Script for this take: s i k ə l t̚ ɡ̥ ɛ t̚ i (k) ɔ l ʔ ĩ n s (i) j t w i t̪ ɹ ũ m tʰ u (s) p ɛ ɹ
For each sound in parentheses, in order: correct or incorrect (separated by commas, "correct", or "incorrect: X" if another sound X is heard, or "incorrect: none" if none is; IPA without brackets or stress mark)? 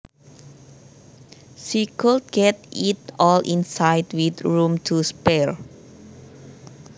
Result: incorrect: t, incorrect: a, correct